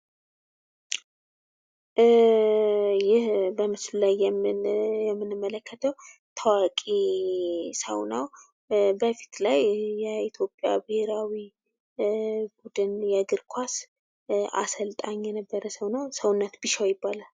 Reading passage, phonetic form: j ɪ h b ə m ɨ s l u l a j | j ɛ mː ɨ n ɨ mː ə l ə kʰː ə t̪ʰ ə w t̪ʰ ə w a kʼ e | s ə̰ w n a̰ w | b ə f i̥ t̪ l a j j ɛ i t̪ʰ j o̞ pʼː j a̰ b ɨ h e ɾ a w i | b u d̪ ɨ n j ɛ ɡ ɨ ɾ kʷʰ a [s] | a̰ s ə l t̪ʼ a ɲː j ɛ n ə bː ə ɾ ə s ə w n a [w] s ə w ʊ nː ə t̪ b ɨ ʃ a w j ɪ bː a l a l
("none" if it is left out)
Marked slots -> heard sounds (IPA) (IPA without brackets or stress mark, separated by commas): s, w